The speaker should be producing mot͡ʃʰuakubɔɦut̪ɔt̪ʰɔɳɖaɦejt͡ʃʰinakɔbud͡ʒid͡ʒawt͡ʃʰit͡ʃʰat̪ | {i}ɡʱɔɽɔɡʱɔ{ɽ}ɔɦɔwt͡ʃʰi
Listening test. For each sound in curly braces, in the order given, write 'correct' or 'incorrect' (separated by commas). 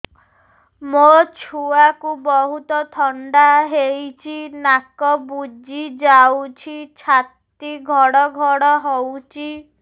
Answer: correct, correct